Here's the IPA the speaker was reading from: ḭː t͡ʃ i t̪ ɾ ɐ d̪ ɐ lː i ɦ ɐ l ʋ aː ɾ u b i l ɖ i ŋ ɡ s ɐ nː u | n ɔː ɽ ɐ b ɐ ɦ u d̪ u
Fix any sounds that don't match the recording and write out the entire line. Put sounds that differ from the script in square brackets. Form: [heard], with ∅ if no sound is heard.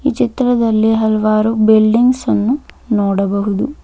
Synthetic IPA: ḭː t͡ʃ i t̪ ɾ ɐ d̪ ɐ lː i ɦ ɐ l ʋ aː ɾ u b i l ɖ i ŋ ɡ s ɐ nː u | n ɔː ɽ ɐ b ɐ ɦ u d̪ u